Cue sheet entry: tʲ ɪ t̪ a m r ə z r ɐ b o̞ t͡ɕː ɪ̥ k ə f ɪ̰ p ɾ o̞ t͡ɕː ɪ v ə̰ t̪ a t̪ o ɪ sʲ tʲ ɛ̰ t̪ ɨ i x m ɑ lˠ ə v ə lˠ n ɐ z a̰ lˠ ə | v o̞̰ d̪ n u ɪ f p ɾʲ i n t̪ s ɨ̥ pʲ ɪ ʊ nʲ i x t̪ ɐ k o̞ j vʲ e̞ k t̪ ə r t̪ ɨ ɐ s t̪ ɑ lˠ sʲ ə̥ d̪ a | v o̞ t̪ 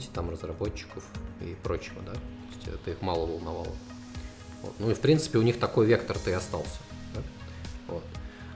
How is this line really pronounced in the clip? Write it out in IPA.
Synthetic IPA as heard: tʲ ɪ t̪ a m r ə z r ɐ b o̞ t͡ɕː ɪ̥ k ə f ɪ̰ p ɾ o̞ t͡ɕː ɪ v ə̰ d̪ a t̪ o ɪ sʲ tʲ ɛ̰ t̪ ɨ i x m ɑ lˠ ə v ə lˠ n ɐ v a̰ lˠ ə | v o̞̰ t̪ n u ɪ f p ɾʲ i n t̪ s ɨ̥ pʲ ɪ ʊ nʲ i x t̪ ɐ k o̞ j vʲ e̞ k t̪ ə r t̪ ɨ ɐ s t̪ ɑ lˠ sʲ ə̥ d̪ a | v o̞ t̪